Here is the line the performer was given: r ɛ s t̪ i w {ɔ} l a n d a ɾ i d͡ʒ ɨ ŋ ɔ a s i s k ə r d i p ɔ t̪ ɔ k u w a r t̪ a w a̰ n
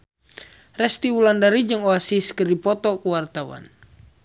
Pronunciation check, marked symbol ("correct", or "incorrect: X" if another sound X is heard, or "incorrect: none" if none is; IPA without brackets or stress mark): incorrect: u